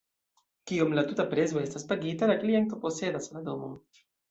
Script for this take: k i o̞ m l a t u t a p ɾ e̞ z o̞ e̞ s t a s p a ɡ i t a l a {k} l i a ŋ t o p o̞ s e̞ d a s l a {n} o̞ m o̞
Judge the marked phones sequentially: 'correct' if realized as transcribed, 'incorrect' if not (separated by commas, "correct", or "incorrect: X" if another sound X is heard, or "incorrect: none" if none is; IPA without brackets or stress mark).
correct, incorrect: d